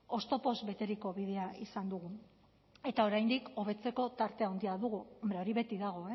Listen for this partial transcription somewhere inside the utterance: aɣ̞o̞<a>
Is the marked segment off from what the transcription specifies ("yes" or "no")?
yes